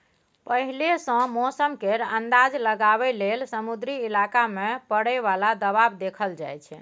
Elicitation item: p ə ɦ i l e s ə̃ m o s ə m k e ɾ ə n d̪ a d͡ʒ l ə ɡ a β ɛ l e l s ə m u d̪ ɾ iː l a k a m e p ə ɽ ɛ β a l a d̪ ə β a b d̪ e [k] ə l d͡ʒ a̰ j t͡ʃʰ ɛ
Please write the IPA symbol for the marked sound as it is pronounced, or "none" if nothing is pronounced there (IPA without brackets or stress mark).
kʰ